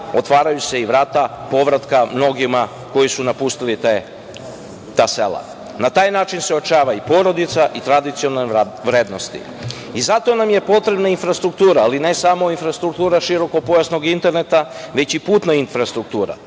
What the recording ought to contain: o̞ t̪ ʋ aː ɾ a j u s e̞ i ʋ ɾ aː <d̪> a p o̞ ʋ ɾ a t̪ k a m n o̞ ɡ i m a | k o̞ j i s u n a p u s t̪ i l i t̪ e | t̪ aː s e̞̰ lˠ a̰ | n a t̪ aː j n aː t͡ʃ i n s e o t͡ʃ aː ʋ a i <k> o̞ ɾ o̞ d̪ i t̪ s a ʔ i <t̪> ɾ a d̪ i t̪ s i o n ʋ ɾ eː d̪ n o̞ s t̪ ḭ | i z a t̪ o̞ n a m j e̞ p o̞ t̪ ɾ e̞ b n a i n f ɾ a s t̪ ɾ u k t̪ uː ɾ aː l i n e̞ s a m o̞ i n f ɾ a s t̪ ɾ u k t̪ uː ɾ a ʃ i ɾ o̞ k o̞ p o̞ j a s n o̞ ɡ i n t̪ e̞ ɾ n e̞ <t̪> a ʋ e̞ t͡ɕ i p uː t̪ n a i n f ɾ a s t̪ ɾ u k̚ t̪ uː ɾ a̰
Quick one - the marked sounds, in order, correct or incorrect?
incorrect: t̪, incorrect: p, correct, correct

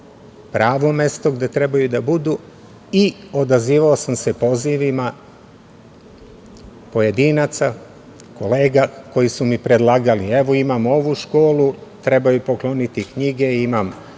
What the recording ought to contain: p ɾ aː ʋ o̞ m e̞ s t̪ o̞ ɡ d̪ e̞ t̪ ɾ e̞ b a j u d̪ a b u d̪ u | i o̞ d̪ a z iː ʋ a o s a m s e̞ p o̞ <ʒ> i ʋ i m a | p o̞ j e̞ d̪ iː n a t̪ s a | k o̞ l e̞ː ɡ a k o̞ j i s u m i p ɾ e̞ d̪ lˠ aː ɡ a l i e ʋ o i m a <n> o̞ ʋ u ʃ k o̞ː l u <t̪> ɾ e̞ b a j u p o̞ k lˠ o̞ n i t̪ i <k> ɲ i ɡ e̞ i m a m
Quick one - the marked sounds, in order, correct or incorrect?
incorrect: z, incorrect: m, correct, correct

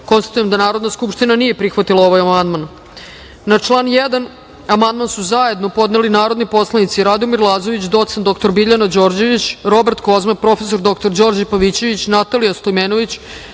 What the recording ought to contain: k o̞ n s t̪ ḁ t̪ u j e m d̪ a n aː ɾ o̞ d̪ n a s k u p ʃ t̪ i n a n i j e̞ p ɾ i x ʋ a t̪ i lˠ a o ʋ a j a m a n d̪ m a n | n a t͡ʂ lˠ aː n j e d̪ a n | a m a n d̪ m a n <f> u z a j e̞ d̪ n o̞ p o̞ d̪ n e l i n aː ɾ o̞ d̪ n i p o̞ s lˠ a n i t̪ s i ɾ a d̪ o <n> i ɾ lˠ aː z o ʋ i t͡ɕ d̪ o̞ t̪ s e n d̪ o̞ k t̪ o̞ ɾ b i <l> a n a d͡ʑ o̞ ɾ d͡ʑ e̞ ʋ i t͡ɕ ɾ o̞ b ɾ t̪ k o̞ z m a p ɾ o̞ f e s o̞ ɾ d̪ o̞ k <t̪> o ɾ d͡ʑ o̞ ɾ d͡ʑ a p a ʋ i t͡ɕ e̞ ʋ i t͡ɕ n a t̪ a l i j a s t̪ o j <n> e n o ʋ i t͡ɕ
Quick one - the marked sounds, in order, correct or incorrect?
incorrect: s, incorrect: m, incorrect: ʎ, correct, incorrect: m

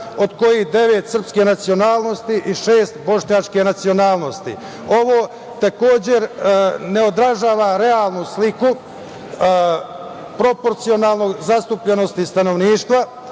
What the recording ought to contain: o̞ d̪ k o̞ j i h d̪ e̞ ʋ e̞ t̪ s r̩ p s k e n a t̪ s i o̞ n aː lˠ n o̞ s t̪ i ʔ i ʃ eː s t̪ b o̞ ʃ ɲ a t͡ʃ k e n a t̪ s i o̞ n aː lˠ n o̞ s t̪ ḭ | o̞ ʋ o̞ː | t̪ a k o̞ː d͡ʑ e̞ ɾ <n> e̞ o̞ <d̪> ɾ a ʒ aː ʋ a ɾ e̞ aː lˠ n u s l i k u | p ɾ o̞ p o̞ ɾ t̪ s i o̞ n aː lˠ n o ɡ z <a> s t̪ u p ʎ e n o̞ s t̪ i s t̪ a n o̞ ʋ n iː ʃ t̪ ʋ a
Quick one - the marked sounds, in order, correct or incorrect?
correct, correct, correct

